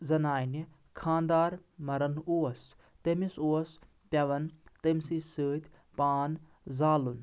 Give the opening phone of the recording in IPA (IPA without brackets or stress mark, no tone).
z